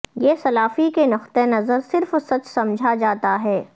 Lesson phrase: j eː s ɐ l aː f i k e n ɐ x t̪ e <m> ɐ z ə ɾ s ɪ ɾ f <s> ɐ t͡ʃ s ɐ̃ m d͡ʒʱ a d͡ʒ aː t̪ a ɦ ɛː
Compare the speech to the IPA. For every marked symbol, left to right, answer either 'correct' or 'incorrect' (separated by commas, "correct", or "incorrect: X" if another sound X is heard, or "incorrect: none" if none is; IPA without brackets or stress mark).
incorrect: n, correct